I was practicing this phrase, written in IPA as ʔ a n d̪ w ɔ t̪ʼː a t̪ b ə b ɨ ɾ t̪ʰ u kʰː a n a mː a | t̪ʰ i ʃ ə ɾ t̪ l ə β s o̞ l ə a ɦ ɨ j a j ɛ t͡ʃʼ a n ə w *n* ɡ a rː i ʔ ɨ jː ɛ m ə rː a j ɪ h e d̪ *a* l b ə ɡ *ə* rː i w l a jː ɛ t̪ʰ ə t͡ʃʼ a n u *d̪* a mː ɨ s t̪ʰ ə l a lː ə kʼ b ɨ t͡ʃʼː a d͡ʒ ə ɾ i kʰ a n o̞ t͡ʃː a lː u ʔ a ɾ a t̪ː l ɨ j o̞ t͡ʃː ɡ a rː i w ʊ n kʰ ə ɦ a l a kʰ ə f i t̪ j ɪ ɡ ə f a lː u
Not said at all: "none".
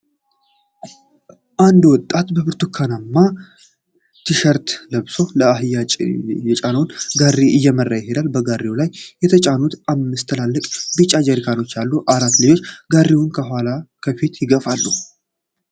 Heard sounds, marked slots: n, a, a, t̪

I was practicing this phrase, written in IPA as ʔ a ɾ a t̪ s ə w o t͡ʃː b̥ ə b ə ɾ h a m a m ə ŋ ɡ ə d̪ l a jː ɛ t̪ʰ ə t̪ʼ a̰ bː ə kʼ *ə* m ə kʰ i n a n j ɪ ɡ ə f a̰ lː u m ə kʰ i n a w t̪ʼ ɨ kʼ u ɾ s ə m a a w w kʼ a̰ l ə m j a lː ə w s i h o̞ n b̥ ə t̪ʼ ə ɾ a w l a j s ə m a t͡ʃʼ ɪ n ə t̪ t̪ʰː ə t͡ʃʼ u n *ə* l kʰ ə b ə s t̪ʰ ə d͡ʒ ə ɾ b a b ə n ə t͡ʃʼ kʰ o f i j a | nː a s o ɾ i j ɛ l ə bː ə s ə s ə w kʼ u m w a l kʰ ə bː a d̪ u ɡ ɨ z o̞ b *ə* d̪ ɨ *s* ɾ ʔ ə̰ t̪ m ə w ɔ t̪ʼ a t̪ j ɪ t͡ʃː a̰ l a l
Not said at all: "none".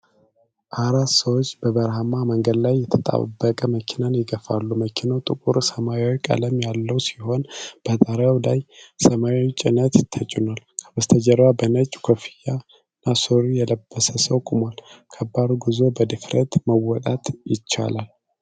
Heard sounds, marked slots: ə, a, ə, f

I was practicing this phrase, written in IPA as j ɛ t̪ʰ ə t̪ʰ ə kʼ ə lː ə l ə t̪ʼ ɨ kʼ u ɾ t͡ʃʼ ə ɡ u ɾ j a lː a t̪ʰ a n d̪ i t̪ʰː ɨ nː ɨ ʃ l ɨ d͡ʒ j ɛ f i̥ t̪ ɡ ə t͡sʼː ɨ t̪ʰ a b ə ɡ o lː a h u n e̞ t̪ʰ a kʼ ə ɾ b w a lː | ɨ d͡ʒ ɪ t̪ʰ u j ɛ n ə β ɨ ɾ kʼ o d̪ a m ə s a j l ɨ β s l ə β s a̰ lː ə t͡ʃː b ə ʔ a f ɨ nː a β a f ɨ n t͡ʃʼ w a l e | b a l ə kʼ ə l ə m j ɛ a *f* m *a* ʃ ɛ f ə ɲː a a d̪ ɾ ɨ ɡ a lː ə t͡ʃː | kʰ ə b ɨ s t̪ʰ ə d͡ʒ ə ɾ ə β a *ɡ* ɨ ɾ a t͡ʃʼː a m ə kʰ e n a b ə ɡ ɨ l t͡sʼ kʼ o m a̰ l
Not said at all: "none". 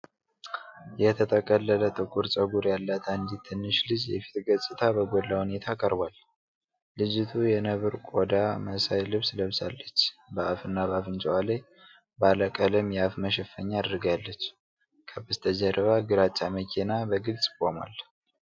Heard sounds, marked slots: f, ə, ɡ

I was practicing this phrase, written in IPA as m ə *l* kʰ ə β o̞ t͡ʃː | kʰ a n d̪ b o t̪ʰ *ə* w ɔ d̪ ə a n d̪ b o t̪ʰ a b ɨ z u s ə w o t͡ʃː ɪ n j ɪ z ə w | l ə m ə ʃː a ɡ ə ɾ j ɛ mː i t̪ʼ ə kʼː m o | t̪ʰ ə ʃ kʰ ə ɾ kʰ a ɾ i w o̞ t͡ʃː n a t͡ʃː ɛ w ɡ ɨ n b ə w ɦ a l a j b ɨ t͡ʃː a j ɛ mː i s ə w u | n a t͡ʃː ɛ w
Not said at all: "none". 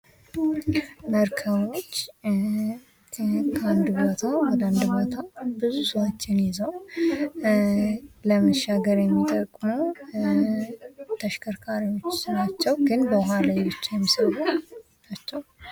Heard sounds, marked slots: ɾ, a

